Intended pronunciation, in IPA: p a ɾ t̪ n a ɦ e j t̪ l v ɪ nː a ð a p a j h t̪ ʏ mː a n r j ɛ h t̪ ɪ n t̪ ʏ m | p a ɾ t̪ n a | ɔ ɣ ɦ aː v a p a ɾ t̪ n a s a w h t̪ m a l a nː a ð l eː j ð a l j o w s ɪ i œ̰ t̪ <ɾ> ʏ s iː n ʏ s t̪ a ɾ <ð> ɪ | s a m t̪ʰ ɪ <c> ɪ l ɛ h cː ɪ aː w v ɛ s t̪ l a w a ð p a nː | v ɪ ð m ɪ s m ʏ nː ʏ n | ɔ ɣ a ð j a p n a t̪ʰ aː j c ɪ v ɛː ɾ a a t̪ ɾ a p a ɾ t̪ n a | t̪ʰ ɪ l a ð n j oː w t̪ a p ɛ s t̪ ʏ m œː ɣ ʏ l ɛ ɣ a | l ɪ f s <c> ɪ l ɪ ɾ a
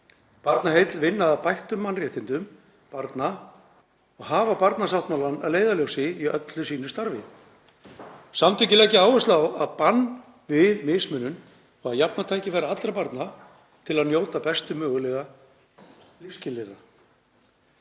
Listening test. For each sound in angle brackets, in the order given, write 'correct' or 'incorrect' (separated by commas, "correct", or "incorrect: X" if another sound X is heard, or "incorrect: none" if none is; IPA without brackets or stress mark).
incorrect: l, incorrect: v, correct, correct